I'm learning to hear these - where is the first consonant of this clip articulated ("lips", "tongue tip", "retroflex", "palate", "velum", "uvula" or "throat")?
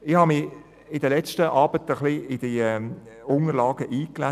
throat